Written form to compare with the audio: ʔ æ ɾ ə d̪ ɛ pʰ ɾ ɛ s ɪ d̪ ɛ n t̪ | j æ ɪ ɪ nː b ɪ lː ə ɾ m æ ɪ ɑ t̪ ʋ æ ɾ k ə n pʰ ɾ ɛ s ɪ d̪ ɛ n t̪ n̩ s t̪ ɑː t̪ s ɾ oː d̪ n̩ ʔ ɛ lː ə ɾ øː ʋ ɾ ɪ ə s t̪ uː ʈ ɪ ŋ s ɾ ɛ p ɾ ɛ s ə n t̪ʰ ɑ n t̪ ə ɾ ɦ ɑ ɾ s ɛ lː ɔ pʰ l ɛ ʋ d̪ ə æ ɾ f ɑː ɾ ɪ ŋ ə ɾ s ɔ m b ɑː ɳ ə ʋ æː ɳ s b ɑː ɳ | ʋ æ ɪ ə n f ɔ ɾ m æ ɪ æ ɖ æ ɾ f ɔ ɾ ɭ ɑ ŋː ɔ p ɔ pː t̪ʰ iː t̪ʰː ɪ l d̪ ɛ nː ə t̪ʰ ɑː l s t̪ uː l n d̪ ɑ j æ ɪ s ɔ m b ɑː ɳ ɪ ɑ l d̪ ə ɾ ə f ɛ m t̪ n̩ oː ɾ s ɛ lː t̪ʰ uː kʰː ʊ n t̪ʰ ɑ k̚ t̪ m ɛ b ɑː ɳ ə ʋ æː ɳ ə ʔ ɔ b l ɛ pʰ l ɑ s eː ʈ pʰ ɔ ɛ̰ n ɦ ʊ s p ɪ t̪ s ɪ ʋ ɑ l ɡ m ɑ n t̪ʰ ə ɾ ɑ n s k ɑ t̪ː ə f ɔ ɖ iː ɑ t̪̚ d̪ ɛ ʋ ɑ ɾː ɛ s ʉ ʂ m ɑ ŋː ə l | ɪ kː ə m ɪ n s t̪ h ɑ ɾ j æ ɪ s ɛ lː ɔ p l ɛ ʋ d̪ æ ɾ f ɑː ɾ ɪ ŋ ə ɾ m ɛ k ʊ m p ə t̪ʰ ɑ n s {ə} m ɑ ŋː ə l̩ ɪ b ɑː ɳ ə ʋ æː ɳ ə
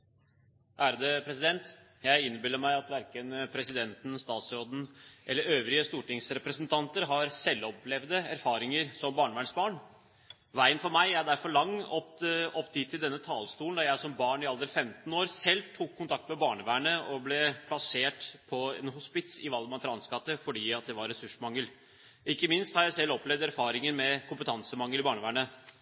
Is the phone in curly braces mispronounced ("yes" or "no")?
no